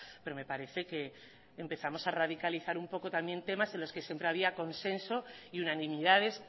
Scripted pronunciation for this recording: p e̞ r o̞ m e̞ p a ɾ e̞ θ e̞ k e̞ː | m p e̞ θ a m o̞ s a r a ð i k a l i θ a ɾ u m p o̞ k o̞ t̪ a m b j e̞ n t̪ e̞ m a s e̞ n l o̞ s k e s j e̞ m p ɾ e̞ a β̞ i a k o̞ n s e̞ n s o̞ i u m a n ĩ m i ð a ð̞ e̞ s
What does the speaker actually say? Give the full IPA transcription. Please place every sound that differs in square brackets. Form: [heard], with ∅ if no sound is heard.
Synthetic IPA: p e̞ [ɾ] o̞ m e̞ p a ɾ e̞ θ e̞ k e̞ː | m p e̞ θ a m o̞ s a r a ð i k a l i θ a ɾ u m p o̞ k o̞ t̪ a m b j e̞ n t̪ e̞ m a s e̞ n l o̞ s k e s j e̞ m p ɾ e̞ a β̞ i a k o̞ n s e̞ n s o̞ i u [n] a n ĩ m i ð a ð̞ e̞ s

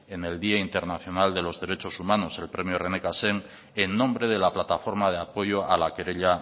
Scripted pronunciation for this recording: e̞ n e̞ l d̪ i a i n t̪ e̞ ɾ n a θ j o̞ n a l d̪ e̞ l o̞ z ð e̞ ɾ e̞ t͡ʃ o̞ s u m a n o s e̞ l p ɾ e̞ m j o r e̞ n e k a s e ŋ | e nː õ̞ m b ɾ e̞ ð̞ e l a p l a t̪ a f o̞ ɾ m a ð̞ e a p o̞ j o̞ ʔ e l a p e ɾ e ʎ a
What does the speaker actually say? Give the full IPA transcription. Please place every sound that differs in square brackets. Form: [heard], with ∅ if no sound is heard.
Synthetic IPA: e̞ n e̞ l d̪ i a i n t̪ e̞ ɾ n a θ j o̞ n a l d̪ e̞ l o̞ z ð e̞ ɾ e̞ t͡ʃ o̞ s u m a n o s e̞ l p ɾ e̞ m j o r e̞ n e k a s e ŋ | e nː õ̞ m b ɾ e̞ ð̞ e l a p l a t̪ a f o̞ ɾ m a ð̞ e a p o̞ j o̞ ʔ [a] l a [k] e ɾ e ʎ a

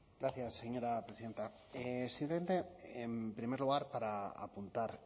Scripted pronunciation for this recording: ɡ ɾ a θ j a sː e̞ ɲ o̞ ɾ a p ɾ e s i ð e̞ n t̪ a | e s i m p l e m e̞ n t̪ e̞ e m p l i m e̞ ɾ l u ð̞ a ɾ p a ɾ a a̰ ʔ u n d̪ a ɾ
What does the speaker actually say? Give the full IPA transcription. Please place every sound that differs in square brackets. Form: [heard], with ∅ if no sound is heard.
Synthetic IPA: ɡ ɾ a θ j a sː e̞ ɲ o̞ ɾ a p ɾ e s i ð e̞ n t̪ a | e s i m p l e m e̞ n t̪ e̞ e m p [ɾ] i m e̞ ɾ l u [ɣ̞] a ɾ p a ɾ a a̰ [p] u n [t̪] a ɾ

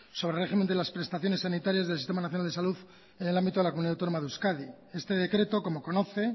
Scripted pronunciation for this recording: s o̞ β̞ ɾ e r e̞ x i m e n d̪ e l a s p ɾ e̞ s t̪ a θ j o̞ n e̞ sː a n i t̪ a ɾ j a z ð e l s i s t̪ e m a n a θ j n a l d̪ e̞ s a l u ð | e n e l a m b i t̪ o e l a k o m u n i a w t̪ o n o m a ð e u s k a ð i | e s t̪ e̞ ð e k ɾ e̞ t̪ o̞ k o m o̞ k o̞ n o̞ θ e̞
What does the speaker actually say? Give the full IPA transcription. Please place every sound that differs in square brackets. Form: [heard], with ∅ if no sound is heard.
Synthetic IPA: s o̞ β̞ ɾ e r e̞ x i m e n d̪ e l a s p ɾ e̞ s t̪ a θ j o̞ n e̞ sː a n i t̪ a ɾ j a z ð e l s i s t̪ e m a n a θ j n a l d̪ e̞ s a l u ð | e n e l a m b i t̪ o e l a k o m u n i a w t̪ o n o m a ð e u s k a ð i | e s t̪ e̞ ð e k ɾ e̞ t̪ o̞ k o m o̞ k o̞ n o̞ θ e̞

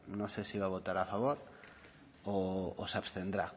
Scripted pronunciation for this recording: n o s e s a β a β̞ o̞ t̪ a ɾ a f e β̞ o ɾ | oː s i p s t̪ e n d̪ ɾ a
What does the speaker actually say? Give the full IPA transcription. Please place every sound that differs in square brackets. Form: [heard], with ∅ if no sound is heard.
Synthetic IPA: n o s e s [i] β a β̞ o̞ t̪ a ɾ a f [a] β̞ o ɾ | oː s [a] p s t̪ e n d̪ ɾ a

